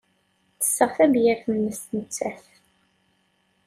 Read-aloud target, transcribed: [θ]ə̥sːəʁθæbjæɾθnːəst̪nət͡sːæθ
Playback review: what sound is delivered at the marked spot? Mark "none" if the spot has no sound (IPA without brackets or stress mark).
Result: θ